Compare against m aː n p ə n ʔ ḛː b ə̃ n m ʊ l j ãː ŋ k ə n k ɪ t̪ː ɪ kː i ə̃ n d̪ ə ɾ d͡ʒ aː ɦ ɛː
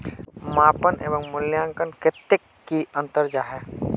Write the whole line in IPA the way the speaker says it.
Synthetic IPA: m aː p ə n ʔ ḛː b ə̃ ŋ m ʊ l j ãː ŋ k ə n k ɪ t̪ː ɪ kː i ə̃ n t̪ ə ɾ d͡ʒ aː ɦ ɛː